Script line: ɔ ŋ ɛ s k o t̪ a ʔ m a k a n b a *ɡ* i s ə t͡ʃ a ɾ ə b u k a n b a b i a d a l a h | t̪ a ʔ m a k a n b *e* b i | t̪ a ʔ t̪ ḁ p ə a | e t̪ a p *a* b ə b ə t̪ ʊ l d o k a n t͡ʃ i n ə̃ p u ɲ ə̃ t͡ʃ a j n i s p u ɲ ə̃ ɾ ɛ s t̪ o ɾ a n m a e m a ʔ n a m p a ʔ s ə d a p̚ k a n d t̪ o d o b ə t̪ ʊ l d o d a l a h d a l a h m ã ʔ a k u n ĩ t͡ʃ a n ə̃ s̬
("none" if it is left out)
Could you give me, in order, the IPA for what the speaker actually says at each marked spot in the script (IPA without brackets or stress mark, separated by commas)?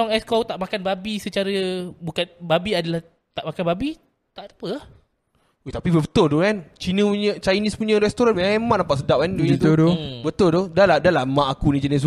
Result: b, a, i